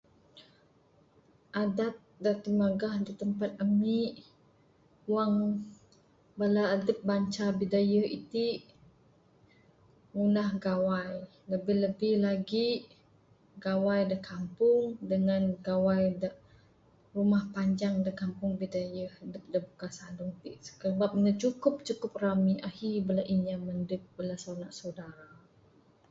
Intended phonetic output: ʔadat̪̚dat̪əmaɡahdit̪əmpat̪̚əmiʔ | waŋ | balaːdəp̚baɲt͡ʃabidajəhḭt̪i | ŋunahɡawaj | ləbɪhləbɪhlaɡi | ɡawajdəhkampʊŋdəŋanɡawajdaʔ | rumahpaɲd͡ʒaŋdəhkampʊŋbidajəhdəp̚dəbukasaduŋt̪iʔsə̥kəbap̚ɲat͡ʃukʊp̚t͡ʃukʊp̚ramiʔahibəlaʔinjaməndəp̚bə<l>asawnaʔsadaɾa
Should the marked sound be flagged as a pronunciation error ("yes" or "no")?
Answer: no